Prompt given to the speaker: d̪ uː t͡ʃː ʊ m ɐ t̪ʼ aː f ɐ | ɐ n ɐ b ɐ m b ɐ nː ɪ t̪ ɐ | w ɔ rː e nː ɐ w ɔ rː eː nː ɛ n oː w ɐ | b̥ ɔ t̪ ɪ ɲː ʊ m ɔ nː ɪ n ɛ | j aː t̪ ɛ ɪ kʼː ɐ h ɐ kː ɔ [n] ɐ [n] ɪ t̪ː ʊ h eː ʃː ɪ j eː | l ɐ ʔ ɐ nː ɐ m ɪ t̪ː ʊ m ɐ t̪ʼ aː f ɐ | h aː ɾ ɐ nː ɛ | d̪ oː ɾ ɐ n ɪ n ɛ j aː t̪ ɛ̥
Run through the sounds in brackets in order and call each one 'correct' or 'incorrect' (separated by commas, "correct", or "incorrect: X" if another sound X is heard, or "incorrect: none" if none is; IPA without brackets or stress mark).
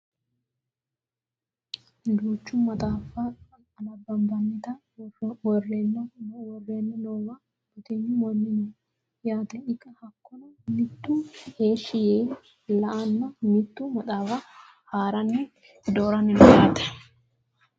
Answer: correct, incorrect: m